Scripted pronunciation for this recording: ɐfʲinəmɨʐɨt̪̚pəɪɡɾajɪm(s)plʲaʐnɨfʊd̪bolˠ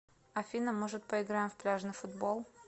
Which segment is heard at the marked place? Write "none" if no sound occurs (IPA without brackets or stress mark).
f